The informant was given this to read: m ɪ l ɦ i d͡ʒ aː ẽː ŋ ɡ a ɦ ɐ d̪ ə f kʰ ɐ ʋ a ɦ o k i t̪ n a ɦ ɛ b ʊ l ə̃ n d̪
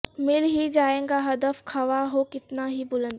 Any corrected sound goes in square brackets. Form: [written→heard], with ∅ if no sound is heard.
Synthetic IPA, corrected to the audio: m ɪ l ɦ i d͡ʒ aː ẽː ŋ ɡ a ɦ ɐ d̪ ə f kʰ ɐ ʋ a ɦ o k [i→ɪ] t̪ n a ɦ [ɛ→i] b ʊ l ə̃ n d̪